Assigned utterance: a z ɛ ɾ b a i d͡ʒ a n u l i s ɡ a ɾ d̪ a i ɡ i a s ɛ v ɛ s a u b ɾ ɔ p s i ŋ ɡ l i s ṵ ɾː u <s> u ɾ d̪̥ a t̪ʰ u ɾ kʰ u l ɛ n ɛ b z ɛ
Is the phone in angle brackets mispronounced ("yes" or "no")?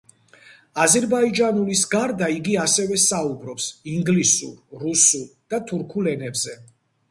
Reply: no